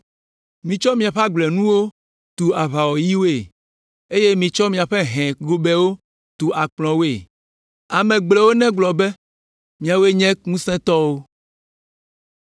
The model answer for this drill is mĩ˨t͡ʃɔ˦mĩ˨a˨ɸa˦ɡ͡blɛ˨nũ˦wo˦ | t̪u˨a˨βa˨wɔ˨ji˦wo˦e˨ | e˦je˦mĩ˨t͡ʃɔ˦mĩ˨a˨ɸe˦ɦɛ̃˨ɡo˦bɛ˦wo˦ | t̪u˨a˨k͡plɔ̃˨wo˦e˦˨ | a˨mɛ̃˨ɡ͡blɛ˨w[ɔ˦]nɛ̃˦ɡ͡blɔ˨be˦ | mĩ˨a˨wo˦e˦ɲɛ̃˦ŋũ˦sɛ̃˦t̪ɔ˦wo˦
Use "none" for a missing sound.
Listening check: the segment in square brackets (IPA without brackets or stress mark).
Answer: o˦